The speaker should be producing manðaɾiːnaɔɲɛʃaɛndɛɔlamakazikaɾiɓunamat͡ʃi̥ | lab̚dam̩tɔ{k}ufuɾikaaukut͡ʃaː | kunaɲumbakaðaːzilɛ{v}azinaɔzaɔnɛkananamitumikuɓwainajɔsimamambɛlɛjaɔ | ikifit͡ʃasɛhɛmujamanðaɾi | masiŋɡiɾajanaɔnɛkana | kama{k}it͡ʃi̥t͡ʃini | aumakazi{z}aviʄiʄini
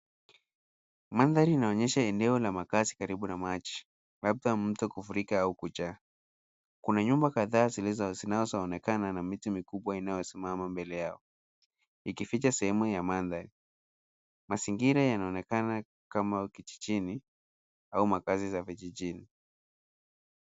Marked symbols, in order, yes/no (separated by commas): yes, no, yes, yes